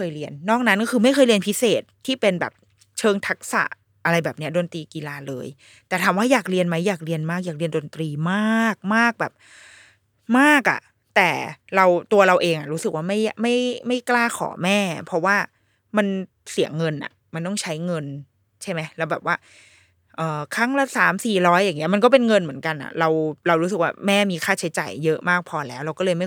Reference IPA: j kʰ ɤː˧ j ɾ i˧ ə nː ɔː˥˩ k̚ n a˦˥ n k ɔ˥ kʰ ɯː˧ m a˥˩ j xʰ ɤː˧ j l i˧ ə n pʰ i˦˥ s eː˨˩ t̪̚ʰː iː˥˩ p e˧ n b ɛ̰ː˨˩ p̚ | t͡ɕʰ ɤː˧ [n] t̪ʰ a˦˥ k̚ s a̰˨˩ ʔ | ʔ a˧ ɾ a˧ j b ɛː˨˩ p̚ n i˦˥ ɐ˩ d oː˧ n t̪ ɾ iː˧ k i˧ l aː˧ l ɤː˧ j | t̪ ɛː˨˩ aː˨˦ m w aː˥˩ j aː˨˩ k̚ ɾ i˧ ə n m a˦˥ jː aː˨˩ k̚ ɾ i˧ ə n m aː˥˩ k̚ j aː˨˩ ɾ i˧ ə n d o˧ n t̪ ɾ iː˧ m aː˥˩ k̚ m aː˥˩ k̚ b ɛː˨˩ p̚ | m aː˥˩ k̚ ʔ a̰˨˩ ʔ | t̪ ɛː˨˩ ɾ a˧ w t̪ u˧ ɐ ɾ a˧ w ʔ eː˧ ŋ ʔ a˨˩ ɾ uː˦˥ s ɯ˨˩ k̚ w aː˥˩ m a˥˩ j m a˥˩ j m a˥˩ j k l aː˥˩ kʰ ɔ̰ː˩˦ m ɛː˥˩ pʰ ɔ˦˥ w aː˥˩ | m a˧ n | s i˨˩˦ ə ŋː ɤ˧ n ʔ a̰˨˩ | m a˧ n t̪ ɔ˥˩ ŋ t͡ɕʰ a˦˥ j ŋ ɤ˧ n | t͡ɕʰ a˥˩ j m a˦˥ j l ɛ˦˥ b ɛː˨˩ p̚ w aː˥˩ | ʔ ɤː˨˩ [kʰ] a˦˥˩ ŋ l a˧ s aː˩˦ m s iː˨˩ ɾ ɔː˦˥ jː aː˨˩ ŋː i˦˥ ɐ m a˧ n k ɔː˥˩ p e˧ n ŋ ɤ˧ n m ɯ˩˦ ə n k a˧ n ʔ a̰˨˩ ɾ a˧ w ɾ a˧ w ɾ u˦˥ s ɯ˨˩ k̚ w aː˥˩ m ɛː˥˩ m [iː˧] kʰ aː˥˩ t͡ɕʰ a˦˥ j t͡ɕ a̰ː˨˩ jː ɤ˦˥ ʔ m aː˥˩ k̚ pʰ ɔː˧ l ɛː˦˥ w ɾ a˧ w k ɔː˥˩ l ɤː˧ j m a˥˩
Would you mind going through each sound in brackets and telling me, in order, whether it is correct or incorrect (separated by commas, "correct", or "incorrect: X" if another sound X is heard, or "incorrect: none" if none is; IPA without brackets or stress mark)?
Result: incorrect: ŋ, correct, correct